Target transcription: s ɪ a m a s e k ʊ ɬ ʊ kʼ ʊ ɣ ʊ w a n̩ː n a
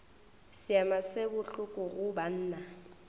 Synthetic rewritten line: s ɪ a m a s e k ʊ ɬ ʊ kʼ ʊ ɣ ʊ b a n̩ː n a